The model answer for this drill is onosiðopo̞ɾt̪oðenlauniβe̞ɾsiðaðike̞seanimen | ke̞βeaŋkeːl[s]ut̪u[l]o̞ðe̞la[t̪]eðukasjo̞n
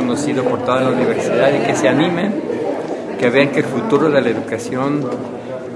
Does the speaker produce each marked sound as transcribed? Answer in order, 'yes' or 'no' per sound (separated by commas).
no, no, no